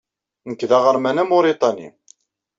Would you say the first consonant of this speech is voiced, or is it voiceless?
voiced